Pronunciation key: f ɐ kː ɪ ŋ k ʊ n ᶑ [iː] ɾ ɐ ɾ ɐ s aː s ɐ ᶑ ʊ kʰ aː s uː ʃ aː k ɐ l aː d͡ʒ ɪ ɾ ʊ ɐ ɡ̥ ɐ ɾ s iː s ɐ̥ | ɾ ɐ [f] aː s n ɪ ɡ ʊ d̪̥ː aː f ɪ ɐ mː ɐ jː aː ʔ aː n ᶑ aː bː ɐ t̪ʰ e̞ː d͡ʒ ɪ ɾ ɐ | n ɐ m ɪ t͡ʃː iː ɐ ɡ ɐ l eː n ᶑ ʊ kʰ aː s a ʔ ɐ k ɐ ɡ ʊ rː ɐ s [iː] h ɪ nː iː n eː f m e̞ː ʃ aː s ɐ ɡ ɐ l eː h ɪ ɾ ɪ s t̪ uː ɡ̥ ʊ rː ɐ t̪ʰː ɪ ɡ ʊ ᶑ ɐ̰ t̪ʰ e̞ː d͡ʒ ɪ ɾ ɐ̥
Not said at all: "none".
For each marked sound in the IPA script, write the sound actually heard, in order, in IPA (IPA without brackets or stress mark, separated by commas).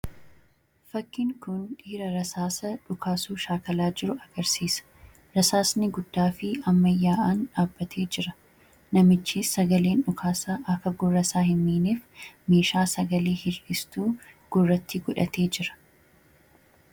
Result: iː, s, aː